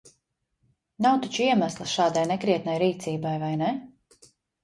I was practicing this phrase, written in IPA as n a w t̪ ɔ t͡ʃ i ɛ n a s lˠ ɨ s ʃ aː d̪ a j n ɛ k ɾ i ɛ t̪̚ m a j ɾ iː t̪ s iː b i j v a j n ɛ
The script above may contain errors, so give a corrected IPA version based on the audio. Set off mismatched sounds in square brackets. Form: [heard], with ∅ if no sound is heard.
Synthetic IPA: n a w t̪ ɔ t͡ʃ i ɛ [m] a s lˠ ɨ s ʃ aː d̪ a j n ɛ k ɾ i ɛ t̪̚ [n] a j ɾ iː t̪ s iː b [a] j v a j n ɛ